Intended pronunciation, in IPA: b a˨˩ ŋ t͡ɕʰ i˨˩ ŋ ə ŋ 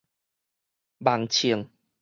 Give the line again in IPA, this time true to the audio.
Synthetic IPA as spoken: b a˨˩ ŋ t͡ɕʰ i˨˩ ə ŋ